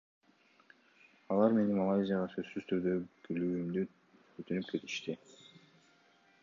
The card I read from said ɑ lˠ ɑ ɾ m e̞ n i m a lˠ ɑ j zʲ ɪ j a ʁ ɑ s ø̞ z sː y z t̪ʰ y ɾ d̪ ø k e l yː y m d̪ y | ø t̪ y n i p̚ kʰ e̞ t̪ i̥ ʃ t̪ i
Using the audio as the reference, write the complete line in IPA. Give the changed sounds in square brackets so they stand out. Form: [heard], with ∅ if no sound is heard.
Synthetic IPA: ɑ lˠ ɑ ɾ m e̞ n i m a lˠ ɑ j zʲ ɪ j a ʁ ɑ s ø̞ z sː y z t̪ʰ y ɾ d̪ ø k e l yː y m d̪ y | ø t̪ y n [y] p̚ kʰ e̞ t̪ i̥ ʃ t̪ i

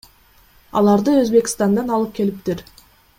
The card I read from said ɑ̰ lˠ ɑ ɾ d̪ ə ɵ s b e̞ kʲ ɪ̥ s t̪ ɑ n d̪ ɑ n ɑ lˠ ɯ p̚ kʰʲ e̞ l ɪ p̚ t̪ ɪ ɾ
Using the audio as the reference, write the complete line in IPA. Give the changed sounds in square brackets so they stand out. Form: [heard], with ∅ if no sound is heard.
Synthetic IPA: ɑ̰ lˠ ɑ ɾ d̪ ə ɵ [z] b e̞ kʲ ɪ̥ s t̪ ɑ n d̪ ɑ n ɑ lˠ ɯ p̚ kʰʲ e̞ l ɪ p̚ t̪ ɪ ɾ

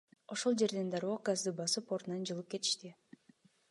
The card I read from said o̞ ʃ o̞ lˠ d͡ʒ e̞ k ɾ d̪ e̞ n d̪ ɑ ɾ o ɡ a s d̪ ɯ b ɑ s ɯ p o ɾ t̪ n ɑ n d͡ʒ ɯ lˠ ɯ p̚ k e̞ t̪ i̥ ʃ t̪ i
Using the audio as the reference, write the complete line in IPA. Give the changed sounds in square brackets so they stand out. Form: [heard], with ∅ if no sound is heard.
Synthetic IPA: o̞ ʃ o̞ lˠ d͡ʒ e̞ [∅] ɾ d̪ e̞ n d̪ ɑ ɾ o ɡ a [z] d̪ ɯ b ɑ s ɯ p o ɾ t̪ n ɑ n d͡ʒ ɯ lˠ ɯ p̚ k e̞ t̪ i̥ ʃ t̪ i

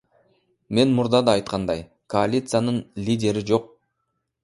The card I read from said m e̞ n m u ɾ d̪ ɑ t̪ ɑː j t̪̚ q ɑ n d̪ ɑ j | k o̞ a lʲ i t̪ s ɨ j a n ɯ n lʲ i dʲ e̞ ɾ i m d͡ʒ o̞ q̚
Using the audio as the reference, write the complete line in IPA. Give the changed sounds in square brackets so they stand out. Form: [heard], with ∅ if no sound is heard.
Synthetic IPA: m e̞ n m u ɾ d̪ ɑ [d̪] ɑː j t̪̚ q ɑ n d̪ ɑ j | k o̞ a lʲ i t̪ s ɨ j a n ɯ n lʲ i dʲ e̞ ɾ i [∅] d͡ʒ o̞ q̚

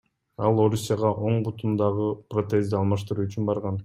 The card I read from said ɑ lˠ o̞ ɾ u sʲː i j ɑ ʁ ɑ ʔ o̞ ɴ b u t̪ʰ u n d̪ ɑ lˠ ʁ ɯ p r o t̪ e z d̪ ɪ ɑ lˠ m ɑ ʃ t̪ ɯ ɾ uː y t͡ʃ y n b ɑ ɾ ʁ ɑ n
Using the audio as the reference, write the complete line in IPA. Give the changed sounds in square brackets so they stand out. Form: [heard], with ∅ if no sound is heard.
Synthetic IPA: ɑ lˠ o̞ ɾ u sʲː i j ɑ ʁ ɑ ʔ o̞ ɴ b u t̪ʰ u n d̪ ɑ [∅] ʁ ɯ p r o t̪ e z d̪ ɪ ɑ lˠ m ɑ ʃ t̪ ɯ ɾ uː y t͡ʃ y n b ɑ ɾ ʁ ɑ n

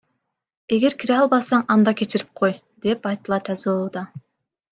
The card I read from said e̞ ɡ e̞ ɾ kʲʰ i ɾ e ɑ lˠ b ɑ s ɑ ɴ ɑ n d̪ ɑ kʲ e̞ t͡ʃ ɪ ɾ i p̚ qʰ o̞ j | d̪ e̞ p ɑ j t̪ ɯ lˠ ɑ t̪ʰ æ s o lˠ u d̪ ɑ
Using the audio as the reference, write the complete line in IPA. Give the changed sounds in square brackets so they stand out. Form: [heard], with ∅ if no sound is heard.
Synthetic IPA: e̞ ɡ e̞ ɾ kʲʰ i ɾ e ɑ lˠ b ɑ s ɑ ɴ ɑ n d̪ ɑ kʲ e̞ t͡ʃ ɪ ɾ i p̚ qʰ o̞ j | d̪ e̞ p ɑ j t̪ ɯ lˠ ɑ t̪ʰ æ [z] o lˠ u d̪ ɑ

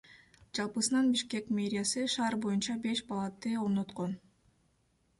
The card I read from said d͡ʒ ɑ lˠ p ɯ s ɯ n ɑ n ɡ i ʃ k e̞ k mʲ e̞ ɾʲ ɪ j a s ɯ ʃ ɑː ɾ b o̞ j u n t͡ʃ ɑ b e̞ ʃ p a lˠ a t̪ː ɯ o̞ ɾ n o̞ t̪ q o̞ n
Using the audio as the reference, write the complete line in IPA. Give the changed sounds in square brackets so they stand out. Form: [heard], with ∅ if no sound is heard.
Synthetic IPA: d͡ʒ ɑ lˠ p ɯ s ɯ n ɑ n [b] i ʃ k e̞ k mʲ e̞ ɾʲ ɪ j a s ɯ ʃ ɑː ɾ b o̞ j u n t͡ʃ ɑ b e̞ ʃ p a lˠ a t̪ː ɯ o̞ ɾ n o̞ t̪ q o̞ n

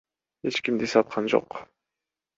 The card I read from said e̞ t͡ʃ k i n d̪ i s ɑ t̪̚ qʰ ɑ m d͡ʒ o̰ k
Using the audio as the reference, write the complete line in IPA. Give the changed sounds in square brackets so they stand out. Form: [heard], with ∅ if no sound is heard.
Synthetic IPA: e̞ t͡ʃ k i [m] d̪ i s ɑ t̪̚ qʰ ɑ [n] d͡ʒ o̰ [q]

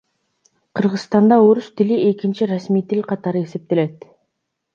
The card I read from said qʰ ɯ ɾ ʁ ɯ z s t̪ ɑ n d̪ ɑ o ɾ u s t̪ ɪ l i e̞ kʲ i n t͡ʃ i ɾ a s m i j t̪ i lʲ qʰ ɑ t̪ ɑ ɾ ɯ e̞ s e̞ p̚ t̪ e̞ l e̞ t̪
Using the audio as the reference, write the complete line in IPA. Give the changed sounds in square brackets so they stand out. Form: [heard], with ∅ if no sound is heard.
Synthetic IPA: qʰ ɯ ɾ ʁ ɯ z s t̪ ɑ n d̪ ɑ o ɾ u s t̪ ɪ l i e̞ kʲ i n t͡ʃ i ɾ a s m i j t̪ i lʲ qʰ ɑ t̪ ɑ ɾ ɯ e̞ s e̞ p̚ t̪ e̞ l e̞ t̪

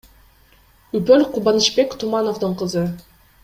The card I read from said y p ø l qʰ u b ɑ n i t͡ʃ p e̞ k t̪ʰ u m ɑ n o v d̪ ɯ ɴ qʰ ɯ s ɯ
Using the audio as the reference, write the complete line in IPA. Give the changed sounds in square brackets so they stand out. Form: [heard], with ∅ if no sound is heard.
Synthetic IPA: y p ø l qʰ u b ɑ n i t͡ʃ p e̞ k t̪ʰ u m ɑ n o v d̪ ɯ ɴ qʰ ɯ [z] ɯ

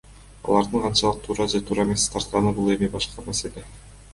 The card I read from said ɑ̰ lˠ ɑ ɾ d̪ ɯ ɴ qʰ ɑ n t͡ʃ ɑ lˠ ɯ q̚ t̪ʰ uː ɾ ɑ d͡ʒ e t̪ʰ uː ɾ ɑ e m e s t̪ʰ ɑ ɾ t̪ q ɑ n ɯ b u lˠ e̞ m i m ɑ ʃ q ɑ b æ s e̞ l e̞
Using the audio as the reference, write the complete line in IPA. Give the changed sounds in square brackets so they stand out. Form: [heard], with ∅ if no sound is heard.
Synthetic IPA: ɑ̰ lˠ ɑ ɾ d̪ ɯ ɴ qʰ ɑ n t͡ʃ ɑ lˠ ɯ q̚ t̪ʰ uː ɾ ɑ d͡ʒ e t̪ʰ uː ɾ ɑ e m e s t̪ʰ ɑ ɾ t̪ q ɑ n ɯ b u lˠ e̞ m i [b] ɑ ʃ q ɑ [m] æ s e̞ l e̞

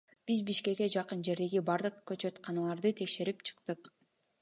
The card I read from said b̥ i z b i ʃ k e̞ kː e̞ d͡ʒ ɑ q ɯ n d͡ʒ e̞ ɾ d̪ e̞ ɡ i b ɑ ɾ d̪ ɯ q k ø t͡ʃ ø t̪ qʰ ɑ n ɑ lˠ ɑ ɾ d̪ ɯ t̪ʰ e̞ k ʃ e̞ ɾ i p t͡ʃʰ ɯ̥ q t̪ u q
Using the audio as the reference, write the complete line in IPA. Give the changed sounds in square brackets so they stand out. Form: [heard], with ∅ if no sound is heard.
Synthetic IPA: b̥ i z b i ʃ k e̞ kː e̞ d͡ʒ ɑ q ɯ n d͡ʒ e̞ ɾ d̪ e̞ ɡ i b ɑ ɾ d̪ ɯ q k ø t͡ʃ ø t̪ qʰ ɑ n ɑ lˠ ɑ ɾ d̪ ɯ t̪ʰ e̞ k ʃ e̞ ɾ i p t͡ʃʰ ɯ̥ q t̪ [ɯ] q

